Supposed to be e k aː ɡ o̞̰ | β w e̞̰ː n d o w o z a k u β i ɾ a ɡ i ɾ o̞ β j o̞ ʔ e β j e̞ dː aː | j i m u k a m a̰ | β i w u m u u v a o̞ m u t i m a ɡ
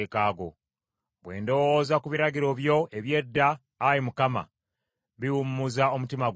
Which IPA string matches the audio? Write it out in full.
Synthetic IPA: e k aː ɡ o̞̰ | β w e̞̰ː n d o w o z a k u β i ɾ a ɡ i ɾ o̞ β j o̞ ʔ e β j e̞ dː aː | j i m u k a m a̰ | β i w u m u u z a o̞ m u t i m a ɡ